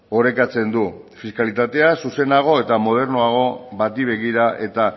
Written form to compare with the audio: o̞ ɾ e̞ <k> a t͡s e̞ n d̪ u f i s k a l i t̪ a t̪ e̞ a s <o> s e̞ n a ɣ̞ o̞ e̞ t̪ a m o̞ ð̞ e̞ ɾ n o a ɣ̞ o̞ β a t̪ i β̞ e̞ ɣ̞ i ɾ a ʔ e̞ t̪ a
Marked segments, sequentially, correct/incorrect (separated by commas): correct, incorrect